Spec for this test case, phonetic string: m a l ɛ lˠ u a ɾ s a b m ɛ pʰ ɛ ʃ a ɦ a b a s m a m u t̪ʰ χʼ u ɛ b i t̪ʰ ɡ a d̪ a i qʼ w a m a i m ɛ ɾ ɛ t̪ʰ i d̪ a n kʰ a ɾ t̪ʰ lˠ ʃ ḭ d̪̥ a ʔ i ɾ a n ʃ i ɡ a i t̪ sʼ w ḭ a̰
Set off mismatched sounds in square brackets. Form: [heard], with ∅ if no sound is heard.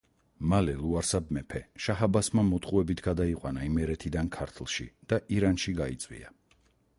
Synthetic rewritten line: m a l ɛ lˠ u a ɾ s a b m ɛ pʰ ɛ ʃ a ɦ a b a s m a m [ɔ] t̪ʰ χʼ u ɛ b i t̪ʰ ɡ a d̪ a i qʼ w a [n] a i m ɛ ɾ ɛ t̪ʰ i d̪ a n kʰ a ɾ t̪ʰ lˠ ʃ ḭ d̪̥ a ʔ i ɾ a n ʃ i ɡ a i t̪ sʼ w ḭ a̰

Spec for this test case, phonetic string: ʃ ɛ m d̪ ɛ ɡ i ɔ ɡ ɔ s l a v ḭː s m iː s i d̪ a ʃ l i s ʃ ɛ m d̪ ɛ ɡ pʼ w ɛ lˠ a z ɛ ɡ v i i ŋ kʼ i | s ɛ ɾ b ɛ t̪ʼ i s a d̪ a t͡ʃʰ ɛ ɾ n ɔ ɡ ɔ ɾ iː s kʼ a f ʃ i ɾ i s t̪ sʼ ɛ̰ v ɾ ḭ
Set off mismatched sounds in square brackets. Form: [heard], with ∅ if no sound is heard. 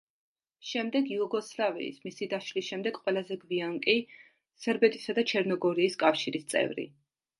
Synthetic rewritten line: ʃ ɛ m d̪ ɛ ɡ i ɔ ɡ ɔ s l a v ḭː s m [i] s i d̪ a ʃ l i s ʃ ɛ m d̪ ɛ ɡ [qʼ] w ɛ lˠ a z ɛ ɡ v i [a] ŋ kʼ i | s ɛ ɾ b ɛ t̪ʼ i s a d̪ a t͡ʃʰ ɛ ɾ n ɔ ɡ ɔ ɾ iː s kʼ a f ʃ i ɾ i s t̪ sʼ ɛ̰ v ɾ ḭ

